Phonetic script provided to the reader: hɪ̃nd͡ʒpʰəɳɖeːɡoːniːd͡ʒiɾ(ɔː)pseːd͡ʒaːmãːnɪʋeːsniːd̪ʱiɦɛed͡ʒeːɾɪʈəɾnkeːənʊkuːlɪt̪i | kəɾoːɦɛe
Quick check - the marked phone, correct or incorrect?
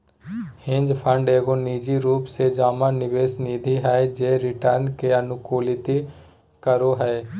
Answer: incorrect